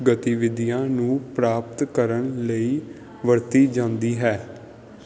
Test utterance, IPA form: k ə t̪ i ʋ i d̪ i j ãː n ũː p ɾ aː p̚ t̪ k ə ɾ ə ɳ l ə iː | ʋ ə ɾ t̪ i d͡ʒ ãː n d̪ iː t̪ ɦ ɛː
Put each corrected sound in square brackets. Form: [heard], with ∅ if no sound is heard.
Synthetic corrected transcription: [ɡ] ə t̪ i ʋ [ɪ] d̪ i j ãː n ũː p ɾ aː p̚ t̪ k ə ɾ ə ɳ l ə iː | ʋ ə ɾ t̪ [iː] d͡ʒ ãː n d̪ iː [∅] ɦ ɛː